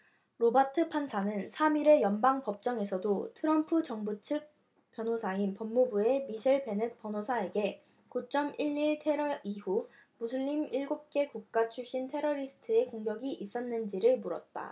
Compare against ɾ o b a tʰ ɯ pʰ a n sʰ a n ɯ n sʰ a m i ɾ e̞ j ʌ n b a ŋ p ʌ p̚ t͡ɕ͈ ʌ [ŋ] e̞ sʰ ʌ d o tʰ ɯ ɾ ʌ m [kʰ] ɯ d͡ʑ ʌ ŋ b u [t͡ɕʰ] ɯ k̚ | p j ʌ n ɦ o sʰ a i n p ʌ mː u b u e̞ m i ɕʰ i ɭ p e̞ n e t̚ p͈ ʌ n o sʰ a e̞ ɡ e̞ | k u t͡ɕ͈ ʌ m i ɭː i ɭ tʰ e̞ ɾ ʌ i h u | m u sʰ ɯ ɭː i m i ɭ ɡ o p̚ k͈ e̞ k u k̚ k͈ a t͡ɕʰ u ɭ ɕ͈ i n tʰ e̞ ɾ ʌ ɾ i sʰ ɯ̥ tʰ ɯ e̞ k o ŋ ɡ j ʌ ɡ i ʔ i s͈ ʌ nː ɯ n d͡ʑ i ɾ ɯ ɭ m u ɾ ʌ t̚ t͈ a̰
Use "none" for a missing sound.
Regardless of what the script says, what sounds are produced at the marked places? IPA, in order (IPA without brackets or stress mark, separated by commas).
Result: ŋ, pʰ, t͡ɕʰ